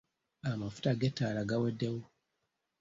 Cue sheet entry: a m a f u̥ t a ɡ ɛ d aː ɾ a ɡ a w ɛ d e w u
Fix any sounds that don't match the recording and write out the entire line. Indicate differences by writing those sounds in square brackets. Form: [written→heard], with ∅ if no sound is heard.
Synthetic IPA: a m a f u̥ t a ɡ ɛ [d→t] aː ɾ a ɡ a w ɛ d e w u